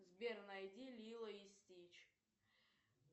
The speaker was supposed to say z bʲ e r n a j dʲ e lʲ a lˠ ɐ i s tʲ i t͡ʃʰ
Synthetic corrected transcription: z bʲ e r n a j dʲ i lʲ i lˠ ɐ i s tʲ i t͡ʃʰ